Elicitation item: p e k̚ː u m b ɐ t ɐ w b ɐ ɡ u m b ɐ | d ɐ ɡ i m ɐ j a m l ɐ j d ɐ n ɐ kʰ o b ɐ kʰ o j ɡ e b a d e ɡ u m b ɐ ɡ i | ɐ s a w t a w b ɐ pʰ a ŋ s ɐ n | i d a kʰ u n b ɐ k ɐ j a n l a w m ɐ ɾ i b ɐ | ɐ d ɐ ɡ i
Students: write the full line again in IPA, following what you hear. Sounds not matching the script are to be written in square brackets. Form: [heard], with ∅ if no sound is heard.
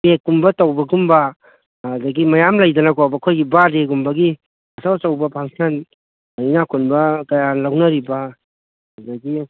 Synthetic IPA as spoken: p e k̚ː u m b ɐ t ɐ w b ɐ ɡ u m b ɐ | d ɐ ɡ i m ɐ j a m l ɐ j d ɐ n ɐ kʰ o b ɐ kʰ o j ɡ [i] b a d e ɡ u m b ɐ ɡ i | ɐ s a w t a w b ɐ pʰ a ŋ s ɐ n | i [n] a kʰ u n b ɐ k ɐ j a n l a w [n] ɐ ɾ i b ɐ | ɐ d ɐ ɡ i